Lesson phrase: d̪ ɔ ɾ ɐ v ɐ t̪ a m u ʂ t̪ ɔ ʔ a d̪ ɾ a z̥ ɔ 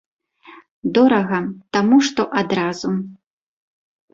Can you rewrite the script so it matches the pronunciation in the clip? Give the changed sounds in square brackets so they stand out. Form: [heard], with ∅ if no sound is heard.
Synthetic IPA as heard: d̪ ɔ ɾ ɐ [ɣ] ɐ t̪ a m u ʂ t̪ ɔ ʔ a d̪ ɾ a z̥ [u]